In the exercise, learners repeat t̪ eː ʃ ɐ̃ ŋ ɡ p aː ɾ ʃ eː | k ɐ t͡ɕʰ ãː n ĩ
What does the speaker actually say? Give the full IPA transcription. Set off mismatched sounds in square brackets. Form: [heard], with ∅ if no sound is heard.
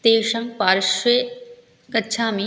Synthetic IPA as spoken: t̪ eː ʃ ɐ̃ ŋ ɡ p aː ɾ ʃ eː | k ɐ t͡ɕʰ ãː [m] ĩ